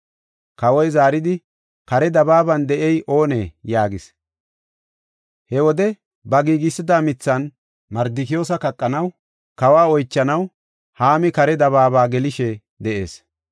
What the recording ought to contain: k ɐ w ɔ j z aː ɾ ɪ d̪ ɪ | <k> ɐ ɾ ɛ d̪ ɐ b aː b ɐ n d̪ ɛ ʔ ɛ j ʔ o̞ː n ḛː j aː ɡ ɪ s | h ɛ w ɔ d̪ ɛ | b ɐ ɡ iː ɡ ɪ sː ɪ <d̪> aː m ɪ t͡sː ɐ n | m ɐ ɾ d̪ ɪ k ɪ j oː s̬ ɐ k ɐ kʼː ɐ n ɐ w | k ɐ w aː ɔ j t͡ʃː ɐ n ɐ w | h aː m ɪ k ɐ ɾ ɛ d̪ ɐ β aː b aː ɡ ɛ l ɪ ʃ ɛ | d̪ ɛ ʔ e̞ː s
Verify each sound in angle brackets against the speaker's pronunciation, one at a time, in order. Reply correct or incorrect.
correct, correct

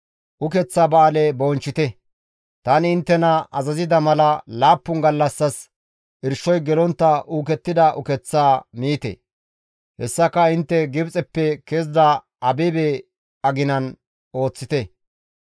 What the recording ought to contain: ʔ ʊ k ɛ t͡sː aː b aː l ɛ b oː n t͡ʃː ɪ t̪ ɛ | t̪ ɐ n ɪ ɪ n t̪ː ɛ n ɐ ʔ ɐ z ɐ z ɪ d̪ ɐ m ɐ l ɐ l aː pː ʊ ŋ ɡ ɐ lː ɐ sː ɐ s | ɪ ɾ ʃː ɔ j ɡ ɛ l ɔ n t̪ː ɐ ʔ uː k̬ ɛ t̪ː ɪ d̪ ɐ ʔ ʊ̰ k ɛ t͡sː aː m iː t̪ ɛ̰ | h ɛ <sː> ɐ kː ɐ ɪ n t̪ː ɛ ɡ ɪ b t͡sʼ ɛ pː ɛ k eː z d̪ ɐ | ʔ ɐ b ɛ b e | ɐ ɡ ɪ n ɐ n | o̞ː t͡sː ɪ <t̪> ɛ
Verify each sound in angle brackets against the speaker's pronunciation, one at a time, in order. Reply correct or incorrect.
correct, correct

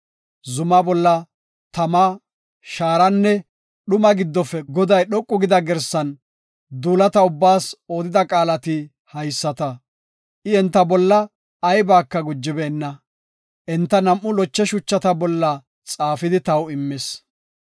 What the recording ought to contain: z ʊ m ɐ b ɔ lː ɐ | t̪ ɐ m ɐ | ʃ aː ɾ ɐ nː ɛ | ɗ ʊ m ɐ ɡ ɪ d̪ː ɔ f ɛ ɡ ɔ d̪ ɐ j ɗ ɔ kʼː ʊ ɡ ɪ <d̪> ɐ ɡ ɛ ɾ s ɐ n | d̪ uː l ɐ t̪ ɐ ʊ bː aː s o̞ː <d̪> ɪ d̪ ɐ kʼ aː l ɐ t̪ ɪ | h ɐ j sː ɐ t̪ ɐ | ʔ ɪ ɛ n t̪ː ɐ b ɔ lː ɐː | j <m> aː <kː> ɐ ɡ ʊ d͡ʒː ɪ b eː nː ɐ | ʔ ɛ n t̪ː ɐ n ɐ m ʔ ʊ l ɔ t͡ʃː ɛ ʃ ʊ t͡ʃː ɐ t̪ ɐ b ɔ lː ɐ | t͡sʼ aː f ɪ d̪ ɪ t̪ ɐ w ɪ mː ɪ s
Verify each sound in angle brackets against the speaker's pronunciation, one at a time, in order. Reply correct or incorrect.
correct, correct, incorrect: b, correct

